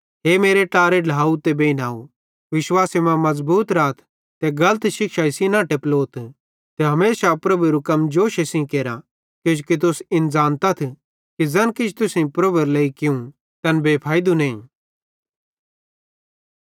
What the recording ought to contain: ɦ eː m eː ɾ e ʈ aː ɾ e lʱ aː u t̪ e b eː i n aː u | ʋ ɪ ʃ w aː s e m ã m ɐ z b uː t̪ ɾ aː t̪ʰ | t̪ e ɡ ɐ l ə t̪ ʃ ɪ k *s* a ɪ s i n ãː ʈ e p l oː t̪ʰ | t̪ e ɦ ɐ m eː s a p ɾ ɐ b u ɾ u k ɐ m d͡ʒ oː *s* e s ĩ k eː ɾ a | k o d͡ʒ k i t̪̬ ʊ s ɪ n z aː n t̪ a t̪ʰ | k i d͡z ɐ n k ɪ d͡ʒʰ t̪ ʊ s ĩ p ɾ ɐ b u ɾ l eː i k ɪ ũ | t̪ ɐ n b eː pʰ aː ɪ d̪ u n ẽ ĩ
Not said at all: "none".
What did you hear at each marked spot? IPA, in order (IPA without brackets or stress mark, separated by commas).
ʃ, ʃ